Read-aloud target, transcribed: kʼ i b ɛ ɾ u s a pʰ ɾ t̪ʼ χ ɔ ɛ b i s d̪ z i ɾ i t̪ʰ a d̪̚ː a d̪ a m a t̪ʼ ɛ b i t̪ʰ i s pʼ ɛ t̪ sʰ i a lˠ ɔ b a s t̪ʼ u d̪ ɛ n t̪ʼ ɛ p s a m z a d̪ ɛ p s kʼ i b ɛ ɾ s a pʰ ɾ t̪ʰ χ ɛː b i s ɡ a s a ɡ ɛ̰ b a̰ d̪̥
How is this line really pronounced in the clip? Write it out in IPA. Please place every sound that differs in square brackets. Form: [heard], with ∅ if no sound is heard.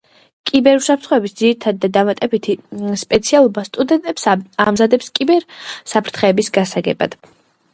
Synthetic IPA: kʼ i b ɛ ɾ u s a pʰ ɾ [t̪] χ ɔ ɛ b i s d̪ z i ɾ i t̪ʰ a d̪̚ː a d̪ a m a t̪ʼ ɛ b i t̪ʰ i s pʼ ɛ t̪ sʰ i a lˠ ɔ b a s t̪ʼ u d̪ ɛ n t̪ʼ ɛ p s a m z a d̪ ɛ p s kʼ i b ɛ ɾ s a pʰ ɾ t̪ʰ χ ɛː b i s ɡ a s a ɡ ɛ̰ b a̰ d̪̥